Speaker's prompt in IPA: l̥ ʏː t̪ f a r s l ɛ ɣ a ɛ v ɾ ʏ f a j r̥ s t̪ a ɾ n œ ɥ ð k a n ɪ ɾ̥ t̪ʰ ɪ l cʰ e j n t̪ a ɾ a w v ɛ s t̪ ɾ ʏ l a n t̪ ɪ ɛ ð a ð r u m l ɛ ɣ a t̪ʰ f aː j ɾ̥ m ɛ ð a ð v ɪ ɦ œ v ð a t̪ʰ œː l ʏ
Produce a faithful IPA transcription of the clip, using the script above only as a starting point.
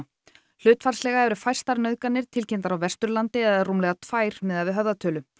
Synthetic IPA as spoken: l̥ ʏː t̪ f a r s l ɛ ɣ a ɛ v ɾ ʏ f a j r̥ s t̪ a ɾ n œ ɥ ð k a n ɪ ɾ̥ t̪ʰ ɪ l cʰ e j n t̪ a ɾ a w v ɛ s t̪ ɾ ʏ l a n t̪ ɪ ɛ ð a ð r u m l ɛ ɣ a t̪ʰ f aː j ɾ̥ m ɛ ð a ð v ɪ ɦ œ v ð a t̪ʰ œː l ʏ